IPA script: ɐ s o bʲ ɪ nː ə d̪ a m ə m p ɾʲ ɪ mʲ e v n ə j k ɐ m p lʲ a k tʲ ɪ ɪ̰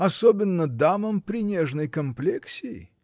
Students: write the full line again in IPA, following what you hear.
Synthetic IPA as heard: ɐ s o bʲ ɪ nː ə d̪ a m ə m p ɾʲ ɪ nʲ e ʐ n ə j k ɐ m p lʲ e k sʲ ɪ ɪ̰